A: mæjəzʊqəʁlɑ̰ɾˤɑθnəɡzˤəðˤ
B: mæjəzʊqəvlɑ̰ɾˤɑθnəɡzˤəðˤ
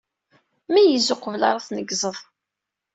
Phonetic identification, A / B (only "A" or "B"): B